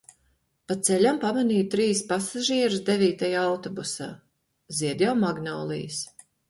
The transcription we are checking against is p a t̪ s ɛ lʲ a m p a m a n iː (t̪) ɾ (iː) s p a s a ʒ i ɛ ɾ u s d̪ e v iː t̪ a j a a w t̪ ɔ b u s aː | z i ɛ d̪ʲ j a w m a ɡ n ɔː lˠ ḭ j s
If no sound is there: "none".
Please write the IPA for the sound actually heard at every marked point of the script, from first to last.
t̪, iː

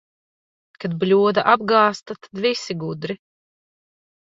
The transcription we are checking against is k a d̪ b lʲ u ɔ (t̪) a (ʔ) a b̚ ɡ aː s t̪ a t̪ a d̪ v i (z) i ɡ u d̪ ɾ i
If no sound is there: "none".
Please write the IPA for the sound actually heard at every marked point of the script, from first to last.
d̪, ʔ, s

